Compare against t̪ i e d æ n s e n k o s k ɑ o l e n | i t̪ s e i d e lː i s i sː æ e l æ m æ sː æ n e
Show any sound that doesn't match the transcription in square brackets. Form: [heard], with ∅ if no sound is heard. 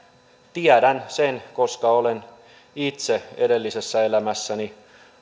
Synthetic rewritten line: t̪ i [æ] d æ n s e n k o s k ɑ o l e n | i t̪ s e [e] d e lː i s [e] sː æ e l æ m æ sː æ n [i]

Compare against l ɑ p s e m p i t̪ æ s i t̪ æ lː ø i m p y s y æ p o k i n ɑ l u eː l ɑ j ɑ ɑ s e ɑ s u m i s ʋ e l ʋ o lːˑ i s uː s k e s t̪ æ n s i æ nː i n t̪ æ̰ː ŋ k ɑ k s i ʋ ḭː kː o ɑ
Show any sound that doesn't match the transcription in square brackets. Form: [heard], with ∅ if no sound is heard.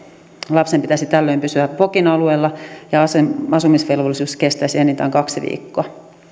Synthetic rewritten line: l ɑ p s e m p i t̪ æ s i t̪ æ lː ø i m p y s y æ p o k i n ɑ l u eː [lː] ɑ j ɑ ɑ s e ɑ s u m i s ʋ e l ʋ o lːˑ i s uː s k e s t̪ æ [∅] s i [e] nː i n t̪ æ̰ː ŋ k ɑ k s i ʋ ḭː kː o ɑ

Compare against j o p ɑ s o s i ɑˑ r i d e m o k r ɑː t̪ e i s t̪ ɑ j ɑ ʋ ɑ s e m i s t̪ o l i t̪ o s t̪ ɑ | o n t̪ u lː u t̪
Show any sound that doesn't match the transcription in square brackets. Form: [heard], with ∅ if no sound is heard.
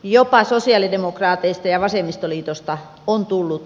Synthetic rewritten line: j o p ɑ s o s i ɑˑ [l] i d e m o k r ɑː t̪ e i s t̪ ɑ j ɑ ʋ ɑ s e m i s t̪ o l [iː] t̪ o s t̪ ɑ | o n t̪ u lː u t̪

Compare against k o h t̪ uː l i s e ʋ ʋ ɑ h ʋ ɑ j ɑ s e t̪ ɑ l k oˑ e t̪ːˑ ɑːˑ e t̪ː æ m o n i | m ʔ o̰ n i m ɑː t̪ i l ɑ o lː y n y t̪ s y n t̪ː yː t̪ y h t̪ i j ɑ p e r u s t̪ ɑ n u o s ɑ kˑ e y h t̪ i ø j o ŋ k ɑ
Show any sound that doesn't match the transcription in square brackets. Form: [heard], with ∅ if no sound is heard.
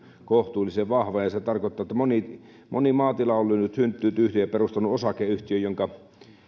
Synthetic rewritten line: k o h t̪ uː l i s e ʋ ʋ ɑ h ʋ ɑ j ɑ s e t̪ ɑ [r] k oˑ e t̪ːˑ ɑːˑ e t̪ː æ m o n i | m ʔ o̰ n i m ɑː t̪ i l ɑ o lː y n y t̪ s y n t̪ː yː t̪ y h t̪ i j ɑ p e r u s t̪ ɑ n u o s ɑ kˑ e y h t̪ i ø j o ŋ k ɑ

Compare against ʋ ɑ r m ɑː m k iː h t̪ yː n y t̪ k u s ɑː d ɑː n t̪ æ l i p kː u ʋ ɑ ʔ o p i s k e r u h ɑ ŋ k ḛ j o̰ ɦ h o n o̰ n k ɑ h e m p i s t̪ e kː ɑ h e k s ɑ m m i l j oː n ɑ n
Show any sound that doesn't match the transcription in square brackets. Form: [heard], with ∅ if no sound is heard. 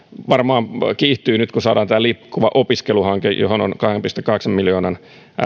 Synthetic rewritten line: ʋ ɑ r m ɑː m k iː h t̪ yː n y t̪ k u s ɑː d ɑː n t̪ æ l i p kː u ʋ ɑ ʔ o p i s k e [l] u h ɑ ŋ k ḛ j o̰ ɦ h o n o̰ n k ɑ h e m p i s t̪ e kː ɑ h e k s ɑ m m i l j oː n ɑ n

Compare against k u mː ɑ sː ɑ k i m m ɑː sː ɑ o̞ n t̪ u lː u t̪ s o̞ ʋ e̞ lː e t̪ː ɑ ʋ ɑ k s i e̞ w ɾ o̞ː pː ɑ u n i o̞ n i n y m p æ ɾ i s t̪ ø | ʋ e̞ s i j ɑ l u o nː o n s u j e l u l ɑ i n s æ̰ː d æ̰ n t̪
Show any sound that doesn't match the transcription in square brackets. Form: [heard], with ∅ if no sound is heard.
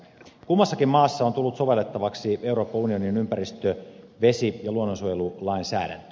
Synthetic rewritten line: k u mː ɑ sː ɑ k i m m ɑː sː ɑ o̞ n t̪ u lː u t̪ s o̞ ʋ e̞ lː e t̪ː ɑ ʋ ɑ k s i e̞ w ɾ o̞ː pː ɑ u n i o̞ n i n y m p æ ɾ i s t̪ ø | ʋ e̞ s i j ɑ l u o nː o n s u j e l u l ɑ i n s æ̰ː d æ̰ n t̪

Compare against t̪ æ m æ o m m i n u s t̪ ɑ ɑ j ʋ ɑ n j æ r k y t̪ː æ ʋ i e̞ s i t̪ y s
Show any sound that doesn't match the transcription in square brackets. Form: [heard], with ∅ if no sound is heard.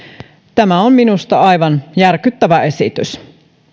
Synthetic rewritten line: t̪ æ m æ o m m i n u s t̪ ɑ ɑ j ʋ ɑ n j æ r k y t̪ː æ ʋ [æ] e̞ s i t̪ y s

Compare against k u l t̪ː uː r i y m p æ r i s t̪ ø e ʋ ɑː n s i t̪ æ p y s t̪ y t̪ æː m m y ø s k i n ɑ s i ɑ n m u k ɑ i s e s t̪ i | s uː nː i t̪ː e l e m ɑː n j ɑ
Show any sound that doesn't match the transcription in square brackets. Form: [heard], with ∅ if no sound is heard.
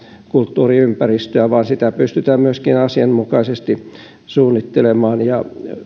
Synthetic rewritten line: k u l t̪ː uː r i y m p æ r i s t̪ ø [æ] ʋ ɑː n s i t̪ æ p y s t̪ y t̪ æː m m y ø s k i n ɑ s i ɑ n m u k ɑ i s e s t̪ i | s uː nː i t̪ː e l e m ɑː n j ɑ

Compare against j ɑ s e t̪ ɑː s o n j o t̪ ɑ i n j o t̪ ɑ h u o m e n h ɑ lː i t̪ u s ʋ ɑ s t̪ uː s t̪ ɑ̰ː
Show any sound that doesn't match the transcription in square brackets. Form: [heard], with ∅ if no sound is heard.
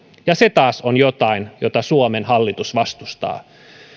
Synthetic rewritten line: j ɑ s e t̪ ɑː s o n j o t̪ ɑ i n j o t̪ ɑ [s] u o m e n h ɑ lː i t̪ u s ʋ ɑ s t̪ [u] s t̪ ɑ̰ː

